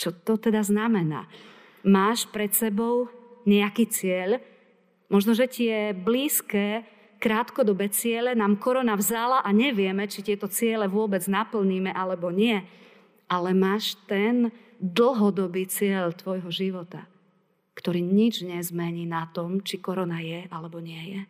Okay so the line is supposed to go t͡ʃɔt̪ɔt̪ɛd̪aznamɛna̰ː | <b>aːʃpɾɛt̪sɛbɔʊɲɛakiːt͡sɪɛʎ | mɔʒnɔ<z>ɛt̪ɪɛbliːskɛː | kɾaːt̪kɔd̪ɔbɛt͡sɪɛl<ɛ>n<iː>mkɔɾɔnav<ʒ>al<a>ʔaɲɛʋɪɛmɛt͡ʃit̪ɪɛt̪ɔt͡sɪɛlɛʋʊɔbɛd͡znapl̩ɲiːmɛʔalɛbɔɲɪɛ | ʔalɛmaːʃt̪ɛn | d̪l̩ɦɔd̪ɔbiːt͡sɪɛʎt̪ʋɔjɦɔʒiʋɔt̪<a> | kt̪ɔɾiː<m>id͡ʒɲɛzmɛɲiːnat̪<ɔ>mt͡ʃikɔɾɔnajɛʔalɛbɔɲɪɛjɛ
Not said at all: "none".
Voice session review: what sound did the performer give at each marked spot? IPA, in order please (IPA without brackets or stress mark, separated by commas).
m, ʒ, ɛ, aː, z, a, a, ɲ, ɔ